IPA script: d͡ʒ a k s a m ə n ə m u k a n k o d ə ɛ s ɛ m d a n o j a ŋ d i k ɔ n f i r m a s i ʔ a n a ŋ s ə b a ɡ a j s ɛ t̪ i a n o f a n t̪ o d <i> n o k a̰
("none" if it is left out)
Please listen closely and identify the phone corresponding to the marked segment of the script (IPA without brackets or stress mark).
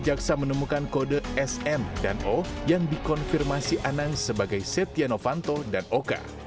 a